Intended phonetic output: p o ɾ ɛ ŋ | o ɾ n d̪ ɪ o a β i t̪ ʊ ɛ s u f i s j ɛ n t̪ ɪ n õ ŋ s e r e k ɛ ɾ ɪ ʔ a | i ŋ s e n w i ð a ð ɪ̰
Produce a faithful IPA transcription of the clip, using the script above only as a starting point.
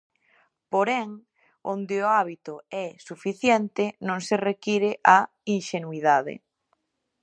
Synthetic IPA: p o ɾ ɛ ŋ | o n d̪ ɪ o a β i t̪ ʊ ɛ s u f i θ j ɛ n t̪ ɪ n õ ŋ s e r e k i ɾ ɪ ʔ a | i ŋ ʃ e n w i ð a ð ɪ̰